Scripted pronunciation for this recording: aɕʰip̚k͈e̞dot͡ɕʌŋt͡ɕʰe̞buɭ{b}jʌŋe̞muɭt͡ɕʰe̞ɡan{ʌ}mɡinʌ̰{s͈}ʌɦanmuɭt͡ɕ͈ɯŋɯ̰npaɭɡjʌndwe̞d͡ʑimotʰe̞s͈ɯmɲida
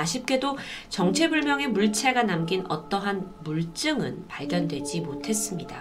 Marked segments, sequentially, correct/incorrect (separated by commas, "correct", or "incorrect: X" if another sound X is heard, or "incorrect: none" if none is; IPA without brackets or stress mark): incorrect: m, incorrect: a, incorrect: t͈